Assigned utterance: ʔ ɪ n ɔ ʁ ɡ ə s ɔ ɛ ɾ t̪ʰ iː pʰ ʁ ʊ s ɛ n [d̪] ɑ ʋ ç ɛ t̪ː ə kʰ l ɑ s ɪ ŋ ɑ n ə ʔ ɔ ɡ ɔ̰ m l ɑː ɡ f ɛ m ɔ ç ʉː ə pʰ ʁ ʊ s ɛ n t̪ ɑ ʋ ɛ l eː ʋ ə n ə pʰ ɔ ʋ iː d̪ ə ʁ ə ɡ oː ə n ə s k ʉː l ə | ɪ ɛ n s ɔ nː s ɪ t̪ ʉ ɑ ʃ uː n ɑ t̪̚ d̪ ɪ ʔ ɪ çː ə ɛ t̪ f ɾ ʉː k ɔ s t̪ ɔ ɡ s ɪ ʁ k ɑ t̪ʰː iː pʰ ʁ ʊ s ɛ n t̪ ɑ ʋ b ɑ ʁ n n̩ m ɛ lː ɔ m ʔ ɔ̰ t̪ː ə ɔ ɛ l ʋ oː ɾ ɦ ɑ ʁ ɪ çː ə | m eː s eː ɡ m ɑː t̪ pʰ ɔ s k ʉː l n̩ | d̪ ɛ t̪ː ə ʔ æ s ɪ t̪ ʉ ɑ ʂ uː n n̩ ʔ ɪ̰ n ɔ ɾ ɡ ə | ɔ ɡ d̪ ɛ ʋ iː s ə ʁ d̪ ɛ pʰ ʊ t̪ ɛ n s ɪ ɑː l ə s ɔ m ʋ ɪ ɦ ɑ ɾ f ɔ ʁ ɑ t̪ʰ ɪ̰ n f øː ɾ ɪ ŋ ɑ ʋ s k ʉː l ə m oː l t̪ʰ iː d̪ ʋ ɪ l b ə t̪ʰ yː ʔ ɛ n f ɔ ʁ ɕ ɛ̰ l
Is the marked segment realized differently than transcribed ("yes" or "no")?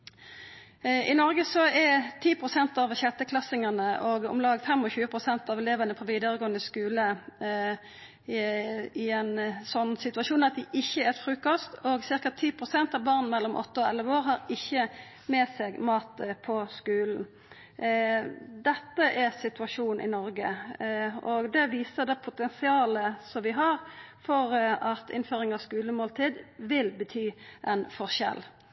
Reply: yes